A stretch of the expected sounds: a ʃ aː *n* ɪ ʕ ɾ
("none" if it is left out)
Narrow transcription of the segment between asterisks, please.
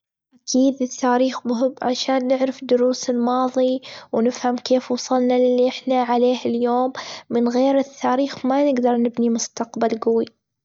nː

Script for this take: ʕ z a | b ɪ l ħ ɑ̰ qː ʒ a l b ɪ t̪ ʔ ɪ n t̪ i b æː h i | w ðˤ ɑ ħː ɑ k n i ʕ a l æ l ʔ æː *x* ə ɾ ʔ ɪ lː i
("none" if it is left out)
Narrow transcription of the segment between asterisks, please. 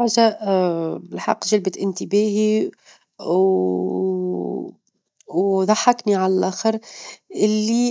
x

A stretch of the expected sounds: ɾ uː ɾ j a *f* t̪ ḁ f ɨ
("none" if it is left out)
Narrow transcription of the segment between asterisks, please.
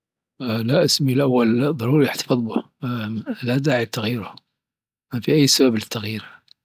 ħ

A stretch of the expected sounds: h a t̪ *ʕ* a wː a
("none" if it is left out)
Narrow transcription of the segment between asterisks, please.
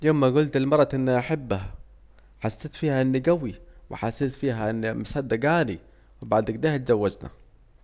z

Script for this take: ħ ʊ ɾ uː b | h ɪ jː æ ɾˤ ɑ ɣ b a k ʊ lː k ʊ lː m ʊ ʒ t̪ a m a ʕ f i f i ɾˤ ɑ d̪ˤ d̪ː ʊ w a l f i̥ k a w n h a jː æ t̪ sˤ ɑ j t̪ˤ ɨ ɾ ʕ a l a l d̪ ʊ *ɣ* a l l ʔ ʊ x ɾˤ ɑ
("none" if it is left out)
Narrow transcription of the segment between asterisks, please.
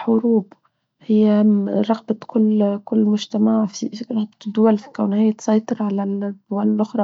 w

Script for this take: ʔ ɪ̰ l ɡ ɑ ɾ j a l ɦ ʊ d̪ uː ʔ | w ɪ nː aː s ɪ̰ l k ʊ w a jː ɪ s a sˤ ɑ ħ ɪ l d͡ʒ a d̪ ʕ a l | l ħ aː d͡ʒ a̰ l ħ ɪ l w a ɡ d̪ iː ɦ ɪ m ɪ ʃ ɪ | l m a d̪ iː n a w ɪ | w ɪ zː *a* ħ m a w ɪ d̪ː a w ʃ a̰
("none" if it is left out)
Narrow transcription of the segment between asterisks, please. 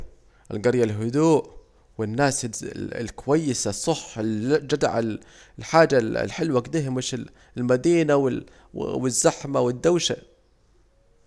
a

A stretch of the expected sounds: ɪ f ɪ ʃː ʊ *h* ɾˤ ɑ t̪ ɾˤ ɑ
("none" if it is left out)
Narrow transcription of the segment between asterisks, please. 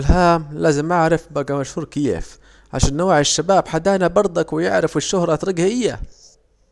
h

